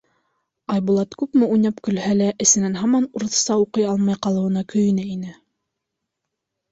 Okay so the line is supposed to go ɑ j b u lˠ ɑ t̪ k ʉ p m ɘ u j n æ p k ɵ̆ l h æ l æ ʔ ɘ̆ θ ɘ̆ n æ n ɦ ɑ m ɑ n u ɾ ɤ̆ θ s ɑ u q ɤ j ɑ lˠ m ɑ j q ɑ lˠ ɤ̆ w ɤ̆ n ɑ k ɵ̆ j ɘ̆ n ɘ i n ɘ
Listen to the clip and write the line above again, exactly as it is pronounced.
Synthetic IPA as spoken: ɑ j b u lˠ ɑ t̪ k ʉ p m ɘ u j n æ p k ɵ̆ l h æ l æ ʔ ɘ̆ s ɘ̆ n æ n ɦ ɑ m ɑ n u ɾ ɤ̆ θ s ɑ u q ɤ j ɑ lˠ m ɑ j q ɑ lˠ ɤ̆ w ɤ̆ n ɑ k ɵ̆ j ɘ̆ n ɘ i n ɘ